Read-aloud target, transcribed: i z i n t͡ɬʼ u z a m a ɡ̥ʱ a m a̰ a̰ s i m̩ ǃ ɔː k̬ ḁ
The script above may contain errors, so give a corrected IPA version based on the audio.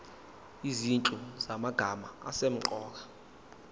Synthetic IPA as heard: i z i n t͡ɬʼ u z a m a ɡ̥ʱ a m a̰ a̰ s e m̩ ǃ ɔː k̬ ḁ